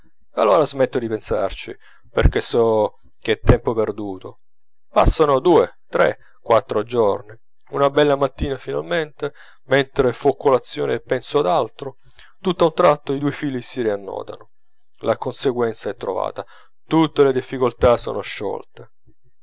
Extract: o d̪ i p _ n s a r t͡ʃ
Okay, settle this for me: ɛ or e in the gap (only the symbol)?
e